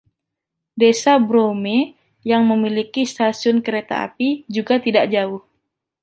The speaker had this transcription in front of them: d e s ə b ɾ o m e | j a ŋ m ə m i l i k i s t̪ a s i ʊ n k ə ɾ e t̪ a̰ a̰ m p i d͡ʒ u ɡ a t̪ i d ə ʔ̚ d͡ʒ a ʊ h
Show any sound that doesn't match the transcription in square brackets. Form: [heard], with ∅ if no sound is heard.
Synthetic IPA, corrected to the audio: d e s [a] b ɾ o m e | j a ŋ m ə m i l i k i s t̪ a s i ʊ n k ə ɾ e t̪ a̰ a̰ [∅] p i d͡ʒ u ɡ a t̪ i d [a] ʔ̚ d͡ʒ a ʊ h